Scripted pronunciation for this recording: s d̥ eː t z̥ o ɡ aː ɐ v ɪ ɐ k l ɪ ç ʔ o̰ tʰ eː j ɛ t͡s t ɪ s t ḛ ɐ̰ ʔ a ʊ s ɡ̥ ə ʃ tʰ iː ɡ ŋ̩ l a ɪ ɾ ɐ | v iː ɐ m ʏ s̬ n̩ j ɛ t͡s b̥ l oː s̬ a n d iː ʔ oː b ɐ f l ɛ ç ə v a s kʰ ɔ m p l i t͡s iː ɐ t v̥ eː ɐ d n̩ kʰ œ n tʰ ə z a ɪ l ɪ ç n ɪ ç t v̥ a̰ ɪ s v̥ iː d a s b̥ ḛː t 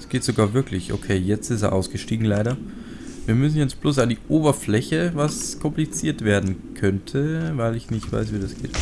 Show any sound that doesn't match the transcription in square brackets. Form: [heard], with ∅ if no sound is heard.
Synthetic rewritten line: s [ɡ̥] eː t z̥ o ɡ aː ɐ v ɪ ɐ k l ɪ ç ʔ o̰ [kʰ] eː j ɛ t͡s t ɪ s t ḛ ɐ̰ ʔ a ʊ s ɡ̥ ə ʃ [t] iː ɡ ŋ̩ l a ɪ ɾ ɐ | v iː ɐ m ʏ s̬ n̩ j ɛ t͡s b̥ l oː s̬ a n d iː ʔ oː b ɐ f l ɛ ç ə v a s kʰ ɔ m p l i t͡s iː ɐ t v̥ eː ɐ d n̩ kʰ œ n tʰ ə [v] a ɪ l ɪ ç n ɪ ç t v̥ a̰ ɪ s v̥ iː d a s [ɡ̥] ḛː t